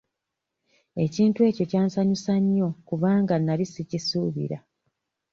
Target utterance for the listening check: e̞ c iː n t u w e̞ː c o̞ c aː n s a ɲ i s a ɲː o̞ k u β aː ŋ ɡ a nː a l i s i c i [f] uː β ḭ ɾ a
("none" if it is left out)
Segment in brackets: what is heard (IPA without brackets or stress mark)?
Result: s